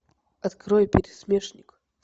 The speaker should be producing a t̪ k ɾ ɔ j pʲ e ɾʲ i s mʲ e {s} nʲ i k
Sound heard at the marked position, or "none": ʂ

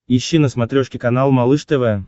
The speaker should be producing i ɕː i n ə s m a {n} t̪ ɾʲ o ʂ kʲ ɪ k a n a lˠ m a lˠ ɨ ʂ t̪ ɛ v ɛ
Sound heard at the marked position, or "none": none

